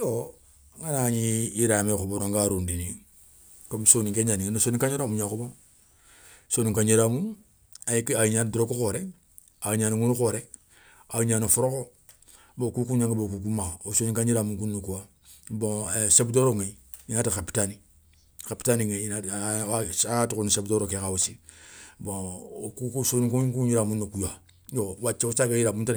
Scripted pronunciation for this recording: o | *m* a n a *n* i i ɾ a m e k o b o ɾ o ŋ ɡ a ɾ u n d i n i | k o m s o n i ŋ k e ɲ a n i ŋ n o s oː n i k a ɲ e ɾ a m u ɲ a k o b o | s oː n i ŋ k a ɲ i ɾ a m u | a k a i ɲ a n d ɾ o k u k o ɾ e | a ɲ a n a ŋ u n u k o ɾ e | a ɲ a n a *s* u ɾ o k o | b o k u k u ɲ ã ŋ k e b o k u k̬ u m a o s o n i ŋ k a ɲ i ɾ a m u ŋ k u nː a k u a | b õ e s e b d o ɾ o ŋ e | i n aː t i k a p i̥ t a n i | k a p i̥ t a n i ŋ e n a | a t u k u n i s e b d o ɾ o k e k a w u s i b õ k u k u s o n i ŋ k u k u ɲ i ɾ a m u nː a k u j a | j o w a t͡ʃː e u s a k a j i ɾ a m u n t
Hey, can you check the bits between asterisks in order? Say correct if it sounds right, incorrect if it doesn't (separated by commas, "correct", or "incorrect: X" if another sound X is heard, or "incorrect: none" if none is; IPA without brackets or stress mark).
incorrect: ŋ, incorrect: ɲ, incorrect: f